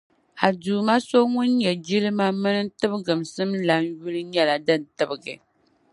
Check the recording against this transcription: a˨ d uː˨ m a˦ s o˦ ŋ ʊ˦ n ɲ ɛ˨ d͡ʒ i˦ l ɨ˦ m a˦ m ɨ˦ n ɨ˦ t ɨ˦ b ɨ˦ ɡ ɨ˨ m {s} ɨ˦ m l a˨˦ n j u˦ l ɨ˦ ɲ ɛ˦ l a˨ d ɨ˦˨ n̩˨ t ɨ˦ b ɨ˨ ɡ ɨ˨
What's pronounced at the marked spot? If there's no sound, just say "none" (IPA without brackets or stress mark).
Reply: s